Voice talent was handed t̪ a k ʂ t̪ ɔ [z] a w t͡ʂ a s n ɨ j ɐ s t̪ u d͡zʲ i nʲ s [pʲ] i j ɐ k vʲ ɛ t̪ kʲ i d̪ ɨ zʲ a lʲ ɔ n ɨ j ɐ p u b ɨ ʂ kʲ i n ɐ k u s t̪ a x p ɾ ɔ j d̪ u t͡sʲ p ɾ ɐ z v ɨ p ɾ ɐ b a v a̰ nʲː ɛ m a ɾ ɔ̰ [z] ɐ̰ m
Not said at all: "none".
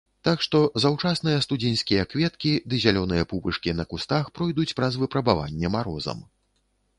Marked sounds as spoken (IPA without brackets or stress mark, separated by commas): z, kʲ, z